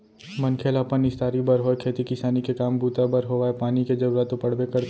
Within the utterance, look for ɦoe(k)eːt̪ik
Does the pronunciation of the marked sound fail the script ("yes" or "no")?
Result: yes